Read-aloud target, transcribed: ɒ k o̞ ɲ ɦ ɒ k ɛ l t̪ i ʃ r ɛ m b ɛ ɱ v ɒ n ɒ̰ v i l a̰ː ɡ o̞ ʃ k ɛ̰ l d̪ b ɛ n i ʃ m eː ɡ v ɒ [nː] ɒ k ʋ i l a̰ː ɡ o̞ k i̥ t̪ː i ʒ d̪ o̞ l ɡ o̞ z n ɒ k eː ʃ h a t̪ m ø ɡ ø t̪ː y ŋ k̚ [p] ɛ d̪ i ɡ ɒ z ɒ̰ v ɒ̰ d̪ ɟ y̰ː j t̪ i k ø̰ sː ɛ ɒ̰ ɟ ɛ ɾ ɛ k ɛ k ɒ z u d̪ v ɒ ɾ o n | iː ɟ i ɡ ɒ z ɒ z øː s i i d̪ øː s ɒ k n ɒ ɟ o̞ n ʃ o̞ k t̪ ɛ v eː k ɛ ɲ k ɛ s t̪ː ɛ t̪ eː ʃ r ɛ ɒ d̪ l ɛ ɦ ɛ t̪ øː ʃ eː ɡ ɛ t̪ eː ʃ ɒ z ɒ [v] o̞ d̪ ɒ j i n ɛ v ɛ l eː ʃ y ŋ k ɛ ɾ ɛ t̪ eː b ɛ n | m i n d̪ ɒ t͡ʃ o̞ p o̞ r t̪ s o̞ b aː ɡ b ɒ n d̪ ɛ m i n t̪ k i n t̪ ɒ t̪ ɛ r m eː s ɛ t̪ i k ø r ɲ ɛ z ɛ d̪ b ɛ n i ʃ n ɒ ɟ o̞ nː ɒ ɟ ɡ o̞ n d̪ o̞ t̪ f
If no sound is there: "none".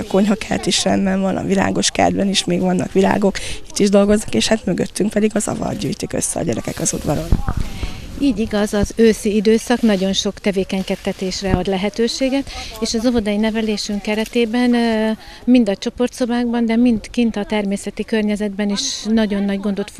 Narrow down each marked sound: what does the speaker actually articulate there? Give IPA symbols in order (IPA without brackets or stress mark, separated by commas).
nː, p, v